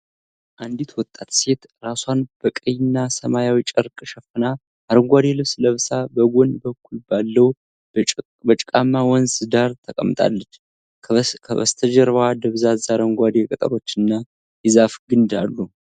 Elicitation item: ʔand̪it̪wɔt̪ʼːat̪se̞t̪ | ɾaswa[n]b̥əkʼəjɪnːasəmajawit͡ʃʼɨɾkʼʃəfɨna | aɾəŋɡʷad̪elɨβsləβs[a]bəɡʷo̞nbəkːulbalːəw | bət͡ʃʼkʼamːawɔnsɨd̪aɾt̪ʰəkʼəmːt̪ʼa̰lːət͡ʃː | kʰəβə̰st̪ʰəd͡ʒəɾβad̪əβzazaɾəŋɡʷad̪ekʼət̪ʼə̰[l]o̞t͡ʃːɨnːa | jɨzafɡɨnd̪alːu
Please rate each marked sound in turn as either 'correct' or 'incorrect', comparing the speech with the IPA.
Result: correct, correct, incorrect: ɾ

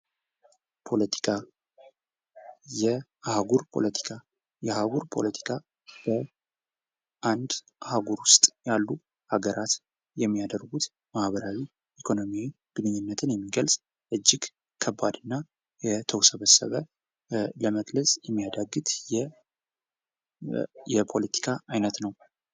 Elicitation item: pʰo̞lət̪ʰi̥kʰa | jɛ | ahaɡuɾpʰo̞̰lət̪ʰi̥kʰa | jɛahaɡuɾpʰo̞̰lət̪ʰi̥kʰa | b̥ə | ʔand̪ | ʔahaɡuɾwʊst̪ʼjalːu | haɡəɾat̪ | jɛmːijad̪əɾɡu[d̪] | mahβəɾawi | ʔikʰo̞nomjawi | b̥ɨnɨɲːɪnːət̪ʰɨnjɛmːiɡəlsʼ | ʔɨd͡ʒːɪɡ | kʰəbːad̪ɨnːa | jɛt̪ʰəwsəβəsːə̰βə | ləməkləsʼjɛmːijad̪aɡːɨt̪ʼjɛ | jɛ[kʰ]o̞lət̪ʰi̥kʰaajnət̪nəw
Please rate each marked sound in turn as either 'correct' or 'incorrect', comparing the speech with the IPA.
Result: incorrect: t̪, incorrect: pʰ

